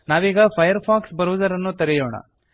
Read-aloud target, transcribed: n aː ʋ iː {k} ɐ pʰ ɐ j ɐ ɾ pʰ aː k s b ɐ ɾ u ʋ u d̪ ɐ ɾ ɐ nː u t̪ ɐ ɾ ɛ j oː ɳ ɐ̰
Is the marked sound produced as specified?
no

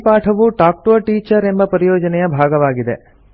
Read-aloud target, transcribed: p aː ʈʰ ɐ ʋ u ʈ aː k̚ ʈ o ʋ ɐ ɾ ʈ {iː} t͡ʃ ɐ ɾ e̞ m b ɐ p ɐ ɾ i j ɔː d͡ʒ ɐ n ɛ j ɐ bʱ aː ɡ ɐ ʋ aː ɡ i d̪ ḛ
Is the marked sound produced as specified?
yes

